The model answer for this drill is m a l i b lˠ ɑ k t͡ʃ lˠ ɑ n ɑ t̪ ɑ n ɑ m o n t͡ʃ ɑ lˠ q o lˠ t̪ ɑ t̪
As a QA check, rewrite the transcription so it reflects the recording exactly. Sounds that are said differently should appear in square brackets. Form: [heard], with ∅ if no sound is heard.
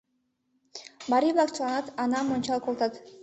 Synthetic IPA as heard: [b] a [ɾ] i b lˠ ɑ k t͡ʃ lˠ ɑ n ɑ t̪ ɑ n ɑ m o n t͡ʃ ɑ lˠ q o lˠ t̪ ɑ t̪